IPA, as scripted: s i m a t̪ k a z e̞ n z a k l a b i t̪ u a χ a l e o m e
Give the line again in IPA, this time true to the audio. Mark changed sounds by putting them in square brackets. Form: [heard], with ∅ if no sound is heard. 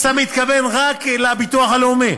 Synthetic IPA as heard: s [a] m [i] t̪ k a [v] e̞ n [ʁ] a k l a b i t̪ u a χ a l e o m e